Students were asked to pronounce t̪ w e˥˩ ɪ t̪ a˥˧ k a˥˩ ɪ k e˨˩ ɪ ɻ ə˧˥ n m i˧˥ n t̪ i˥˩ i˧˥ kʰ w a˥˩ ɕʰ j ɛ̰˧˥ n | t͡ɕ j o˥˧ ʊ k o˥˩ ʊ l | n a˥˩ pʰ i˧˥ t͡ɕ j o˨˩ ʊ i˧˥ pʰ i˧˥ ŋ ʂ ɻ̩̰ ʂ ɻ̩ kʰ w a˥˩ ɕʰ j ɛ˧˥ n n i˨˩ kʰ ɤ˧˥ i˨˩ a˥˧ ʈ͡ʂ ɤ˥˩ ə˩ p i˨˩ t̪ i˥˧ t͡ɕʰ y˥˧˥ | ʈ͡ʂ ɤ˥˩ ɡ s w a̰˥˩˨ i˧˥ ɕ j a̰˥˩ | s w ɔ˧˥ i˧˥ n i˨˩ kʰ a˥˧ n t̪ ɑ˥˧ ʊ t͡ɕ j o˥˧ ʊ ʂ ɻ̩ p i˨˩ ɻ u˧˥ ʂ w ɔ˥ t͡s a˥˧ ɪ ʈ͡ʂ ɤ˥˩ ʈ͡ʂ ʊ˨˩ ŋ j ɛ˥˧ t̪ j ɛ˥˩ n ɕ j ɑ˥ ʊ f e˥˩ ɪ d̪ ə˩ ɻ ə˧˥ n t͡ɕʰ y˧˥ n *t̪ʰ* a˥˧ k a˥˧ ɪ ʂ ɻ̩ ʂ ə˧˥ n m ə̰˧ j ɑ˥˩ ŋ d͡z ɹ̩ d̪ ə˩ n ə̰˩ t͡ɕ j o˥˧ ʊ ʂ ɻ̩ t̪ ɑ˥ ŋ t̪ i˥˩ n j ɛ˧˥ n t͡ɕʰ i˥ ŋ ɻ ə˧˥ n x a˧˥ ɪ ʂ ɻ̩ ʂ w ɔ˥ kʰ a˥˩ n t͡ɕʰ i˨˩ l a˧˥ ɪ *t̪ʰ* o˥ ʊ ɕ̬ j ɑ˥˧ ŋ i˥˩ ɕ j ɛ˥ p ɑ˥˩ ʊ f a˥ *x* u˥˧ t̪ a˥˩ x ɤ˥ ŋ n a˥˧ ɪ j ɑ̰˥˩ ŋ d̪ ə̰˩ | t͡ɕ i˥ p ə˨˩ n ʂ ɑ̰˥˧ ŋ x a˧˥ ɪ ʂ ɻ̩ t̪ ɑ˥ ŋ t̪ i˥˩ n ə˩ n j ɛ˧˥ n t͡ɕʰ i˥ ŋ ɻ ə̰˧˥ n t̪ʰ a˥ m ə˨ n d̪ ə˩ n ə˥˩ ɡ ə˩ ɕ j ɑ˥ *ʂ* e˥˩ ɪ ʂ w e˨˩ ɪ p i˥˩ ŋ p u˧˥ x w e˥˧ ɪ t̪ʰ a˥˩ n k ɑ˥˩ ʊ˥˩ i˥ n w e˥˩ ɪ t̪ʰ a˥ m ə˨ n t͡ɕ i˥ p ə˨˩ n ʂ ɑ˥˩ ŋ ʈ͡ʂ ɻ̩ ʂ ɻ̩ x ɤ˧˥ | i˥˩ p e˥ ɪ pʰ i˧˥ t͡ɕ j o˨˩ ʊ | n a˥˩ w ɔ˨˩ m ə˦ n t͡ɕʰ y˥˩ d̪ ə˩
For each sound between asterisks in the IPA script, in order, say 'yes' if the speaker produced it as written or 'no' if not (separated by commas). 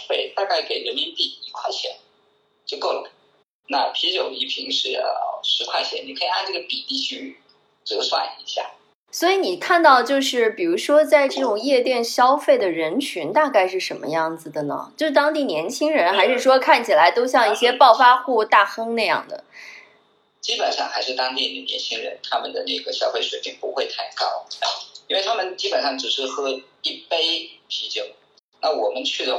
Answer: no, no, yes, no